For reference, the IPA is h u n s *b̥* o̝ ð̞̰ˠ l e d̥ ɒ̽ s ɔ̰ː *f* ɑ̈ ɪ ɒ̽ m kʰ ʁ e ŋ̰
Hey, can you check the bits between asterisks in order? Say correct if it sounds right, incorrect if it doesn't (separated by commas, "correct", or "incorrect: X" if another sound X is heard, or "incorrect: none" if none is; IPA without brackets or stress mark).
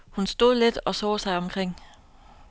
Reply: incorrect: d̥, incorrect: s